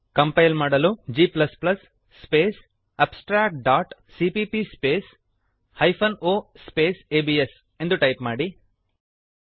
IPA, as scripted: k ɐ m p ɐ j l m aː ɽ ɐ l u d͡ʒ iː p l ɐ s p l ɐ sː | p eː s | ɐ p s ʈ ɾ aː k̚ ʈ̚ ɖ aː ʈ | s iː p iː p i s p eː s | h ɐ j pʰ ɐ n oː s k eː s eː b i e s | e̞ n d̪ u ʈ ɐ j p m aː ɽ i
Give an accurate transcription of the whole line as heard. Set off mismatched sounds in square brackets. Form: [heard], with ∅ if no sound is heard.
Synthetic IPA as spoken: k ɐ m p ɐ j l m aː ɽ ɐ l u d͡ʒ iː p l ɐ s p l ɐ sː | p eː s | ɐ p s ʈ ɾ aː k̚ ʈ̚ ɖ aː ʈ | s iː p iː p i s p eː s | h ɐ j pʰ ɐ n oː s [p] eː s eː b i e s | e̞ n d̪ u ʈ ɐ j p m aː ɽ i